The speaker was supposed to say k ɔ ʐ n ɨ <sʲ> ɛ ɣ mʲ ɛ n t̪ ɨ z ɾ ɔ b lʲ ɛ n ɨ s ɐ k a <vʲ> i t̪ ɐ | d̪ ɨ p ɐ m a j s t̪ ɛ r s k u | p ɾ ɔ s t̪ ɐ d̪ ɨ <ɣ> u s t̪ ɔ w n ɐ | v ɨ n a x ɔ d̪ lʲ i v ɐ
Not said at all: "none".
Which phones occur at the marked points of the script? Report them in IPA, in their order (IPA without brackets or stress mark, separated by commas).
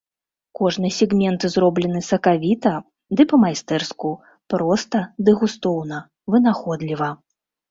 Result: sʲ, vʲ, ɣ